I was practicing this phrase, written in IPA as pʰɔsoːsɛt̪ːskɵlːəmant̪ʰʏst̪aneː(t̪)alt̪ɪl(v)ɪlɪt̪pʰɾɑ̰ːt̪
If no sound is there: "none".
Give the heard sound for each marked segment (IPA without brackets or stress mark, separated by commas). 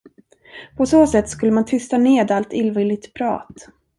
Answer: d̪, v